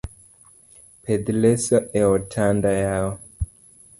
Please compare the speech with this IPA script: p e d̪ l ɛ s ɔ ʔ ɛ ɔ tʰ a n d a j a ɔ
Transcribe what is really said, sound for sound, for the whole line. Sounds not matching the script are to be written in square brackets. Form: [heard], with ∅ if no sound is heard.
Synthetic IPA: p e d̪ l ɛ s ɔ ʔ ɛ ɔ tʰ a n d a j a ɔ